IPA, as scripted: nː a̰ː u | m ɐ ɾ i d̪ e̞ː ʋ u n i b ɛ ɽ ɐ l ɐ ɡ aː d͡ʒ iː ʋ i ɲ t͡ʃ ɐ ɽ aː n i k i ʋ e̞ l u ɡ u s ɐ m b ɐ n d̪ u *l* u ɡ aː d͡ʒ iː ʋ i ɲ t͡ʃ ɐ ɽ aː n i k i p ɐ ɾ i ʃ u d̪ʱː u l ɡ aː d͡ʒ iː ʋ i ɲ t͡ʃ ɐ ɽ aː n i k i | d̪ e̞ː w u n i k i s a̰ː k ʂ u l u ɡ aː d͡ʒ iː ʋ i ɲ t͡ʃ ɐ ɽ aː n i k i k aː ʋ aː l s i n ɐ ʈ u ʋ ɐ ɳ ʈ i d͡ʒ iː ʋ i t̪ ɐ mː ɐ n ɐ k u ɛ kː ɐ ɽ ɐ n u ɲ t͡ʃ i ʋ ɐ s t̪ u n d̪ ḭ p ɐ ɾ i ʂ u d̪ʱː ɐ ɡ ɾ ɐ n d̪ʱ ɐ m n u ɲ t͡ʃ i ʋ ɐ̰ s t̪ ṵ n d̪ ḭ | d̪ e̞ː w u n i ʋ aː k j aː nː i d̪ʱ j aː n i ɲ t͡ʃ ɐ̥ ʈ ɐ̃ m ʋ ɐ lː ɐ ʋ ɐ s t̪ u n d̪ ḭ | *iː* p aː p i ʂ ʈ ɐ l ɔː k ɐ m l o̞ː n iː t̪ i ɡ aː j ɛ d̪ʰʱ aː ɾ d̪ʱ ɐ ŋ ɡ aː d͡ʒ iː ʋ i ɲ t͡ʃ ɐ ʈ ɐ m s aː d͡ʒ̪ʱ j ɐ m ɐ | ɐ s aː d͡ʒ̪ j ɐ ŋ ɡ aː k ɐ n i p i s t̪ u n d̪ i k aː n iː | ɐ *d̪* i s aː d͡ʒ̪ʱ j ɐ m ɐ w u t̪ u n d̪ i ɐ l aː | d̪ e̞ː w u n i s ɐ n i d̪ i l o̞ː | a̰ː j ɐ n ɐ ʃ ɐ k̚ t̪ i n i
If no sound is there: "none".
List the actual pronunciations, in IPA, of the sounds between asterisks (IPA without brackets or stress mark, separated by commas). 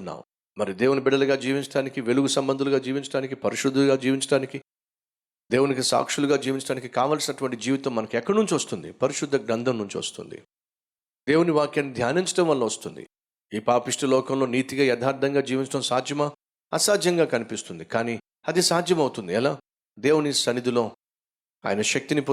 l, iː, d̪